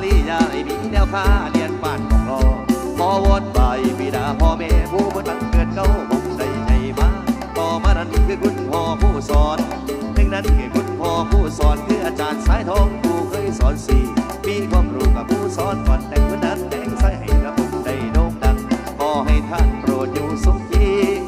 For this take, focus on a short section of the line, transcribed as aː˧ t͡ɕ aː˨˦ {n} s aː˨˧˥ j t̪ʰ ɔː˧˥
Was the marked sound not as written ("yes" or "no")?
no